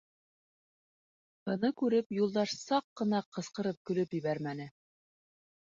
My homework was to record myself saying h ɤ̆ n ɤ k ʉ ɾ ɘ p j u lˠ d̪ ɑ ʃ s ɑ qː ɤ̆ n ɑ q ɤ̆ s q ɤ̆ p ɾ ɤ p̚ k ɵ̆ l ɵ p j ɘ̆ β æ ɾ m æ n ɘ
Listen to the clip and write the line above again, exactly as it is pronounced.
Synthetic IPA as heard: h ɤ̆ n ɤ k ʉ ɾ ɘ p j u lˠ d̪ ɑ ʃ s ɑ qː ɤ̆ n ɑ q ɤ̆ s q ɤ̆ ɾ ɤ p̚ k ɵ̆ l ɵ p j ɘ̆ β æ ɾ m æ n ɘ